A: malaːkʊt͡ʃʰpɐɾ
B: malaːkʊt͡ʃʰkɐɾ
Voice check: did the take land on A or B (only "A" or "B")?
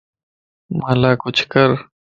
B